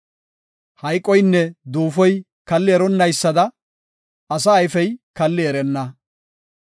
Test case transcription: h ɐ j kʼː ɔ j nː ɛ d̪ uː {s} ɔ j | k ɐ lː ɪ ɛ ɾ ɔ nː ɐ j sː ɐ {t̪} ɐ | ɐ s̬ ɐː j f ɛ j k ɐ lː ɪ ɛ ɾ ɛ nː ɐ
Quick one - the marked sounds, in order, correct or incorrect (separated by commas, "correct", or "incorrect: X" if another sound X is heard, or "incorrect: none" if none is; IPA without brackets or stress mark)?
incorrect: f, incorrect: d̪